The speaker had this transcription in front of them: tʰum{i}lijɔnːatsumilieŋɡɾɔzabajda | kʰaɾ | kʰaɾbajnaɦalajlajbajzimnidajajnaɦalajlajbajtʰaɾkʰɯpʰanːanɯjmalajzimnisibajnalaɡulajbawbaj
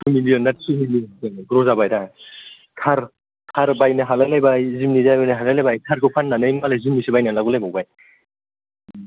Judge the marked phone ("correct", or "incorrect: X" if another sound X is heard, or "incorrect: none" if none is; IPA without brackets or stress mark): correct